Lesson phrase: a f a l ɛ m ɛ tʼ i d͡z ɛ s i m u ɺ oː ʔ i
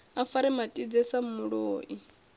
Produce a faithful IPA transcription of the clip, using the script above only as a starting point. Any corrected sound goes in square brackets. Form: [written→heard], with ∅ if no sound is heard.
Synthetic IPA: a f a [l→ɾ] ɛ m [ɛ→a] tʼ i d͡z ɛ s [i→a] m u ɺ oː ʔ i